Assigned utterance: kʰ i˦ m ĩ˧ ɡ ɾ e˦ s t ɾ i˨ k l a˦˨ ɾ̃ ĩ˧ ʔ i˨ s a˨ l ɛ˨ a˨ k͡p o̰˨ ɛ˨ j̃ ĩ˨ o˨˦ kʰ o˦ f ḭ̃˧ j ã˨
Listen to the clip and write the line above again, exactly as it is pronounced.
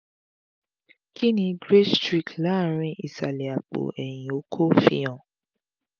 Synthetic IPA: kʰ i˦ n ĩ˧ ɡ ɾ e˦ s t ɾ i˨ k l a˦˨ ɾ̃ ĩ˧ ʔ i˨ s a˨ l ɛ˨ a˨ k͡p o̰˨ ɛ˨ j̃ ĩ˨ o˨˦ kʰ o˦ f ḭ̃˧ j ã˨

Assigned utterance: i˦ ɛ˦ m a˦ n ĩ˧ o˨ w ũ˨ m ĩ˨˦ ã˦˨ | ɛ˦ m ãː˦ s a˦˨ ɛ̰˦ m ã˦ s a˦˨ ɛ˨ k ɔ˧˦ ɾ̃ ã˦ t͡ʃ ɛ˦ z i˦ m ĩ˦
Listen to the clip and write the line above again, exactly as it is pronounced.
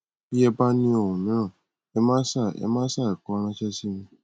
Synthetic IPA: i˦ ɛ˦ b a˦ n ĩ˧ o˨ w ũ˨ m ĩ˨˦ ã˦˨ | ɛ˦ m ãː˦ s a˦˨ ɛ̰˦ m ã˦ s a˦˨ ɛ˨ k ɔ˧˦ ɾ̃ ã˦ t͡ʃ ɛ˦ s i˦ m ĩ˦

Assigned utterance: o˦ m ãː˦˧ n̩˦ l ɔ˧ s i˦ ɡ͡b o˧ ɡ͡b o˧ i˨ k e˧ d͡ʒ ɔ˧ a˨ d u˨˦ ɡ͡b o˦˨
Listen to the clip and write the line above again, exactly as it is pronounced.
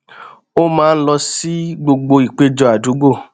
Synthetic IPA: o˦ m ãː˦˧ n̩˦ l ɔ˧ s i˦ ɡ͡b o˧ ɡ͡b o˧ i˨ k͡p e˧ d͡ʒ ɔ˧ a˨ d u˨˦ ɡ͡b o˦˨

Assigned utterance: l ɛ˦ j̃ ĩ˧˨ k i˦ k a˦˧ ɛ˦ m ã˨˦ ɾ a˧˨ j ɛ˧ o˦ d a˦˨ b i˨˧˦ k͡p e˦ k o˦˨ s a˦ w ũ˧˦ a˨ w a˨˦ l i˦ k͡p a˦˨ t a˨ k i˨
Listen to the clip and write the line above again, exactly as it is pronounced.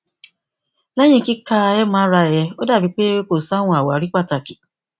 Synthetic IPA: l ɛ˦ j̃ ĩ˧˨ k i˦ k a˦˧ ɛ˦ m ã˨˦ ɾ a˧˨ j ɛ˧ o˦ d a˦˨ b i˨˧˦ k͡p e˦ k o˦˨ s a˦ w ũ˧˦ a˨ w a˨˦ ɾ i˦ k͡p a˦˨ t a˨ k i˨

